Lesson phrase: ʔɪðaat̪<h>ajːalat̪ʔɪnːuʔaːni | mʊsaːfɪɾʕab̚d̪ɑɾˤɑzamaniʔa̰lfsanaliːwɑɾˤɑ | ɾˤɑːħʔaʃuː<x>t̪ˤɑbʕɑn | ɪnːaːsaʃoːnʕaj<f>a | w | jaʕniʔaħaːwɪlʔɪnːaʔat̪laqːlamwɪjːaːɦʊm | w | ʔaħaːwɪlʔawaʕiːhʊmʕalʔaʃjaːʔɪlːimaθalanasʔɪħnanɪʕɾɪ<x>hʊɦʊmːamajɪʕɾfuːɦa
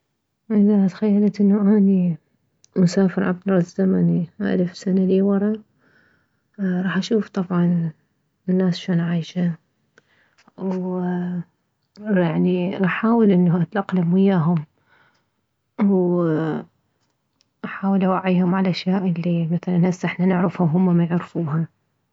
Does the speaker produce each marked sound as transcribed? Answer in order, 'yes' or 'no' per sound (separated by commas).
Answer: no, no, no, no